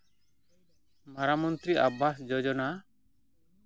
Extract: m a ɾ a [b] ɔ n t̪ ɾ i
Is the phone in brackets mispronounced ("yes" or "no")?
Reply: yes